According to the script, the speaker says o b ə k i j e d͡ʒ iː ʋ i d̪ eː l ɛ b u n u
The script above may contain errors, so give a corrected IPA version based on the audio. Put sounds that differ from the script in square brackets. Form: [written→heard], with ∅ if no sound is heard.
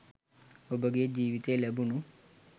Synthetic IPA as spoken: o b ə [k→ɡ] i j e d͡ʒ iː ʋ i [d̪→t̪] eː l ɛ b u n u